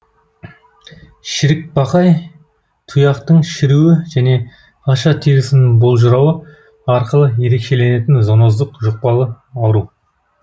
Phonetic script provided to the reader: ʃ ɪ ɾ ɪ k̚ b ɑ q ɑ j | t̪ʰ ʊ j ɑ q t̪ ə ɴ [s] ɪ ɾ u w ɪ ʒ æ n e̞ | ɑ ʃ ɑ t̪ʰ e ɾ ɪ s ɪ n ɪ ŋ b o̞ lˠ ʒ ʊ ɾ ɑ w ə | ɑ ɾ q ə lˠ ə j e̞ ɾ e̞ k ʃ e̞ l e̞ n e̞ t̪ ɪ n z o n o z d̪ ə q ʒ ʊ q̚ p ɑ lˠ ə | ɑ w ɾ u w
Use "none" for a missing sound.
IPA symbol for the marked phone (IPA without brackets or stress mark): ʃ